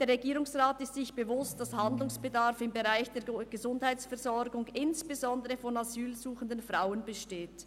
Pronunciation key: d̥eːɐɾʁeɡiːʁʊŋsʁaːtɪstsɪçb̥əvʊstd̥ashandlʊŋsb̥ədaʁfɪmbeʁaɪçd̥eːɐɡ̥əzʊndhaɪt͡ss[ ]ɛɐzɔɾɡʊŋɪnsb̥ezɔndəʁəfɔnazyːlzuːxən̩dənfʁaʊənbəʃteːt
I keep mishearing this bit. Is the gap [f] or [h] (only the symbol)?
f